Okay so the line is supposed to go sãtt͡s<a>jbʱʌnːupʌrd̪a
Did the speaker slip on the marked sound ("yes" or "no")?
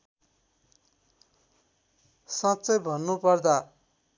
yes